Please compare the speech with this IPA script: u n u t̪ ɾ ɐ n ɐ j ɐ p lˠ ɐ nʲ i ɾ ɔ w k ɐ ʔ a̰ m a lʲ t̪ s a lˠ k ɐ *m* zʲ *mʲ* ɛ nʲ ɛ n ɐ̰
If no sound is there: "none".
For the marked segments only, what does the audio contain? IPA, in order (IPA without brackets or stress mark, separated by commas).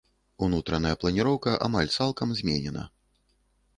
m, mʲ